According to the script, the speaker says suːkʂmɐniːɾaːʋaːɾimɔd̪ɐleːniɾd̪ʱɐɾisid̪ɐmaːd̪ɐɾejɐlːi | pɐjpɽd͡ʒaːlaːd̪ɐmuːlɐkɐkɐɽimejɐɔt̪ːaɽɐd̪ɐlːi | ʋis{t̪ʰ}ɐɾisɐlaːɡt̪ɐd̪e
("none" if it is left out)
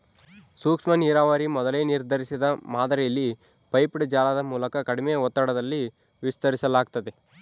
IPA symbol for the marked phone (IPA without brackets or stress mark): t̪